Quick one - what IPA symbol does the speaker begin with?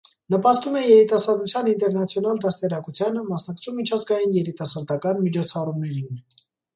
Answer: n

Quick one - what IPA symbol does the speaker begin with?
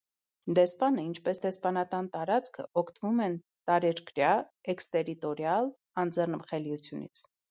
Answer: d̪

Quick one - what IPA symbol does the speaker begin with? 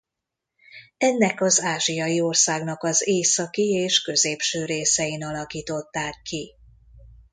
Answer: ɛ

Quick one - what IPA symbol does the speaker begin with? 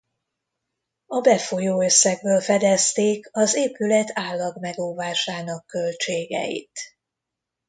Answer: ɒ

